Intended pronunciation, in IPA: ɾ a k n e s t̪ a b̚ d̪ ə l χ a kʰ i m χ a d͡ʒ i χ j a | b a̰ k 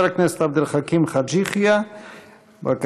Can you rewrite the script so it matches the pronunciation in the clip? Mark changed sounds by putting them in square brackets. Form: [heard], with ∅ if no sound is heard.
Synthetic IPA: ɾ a k n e s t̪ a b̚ d̪ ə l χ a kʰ i m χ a d͡ʒ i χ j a | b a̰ k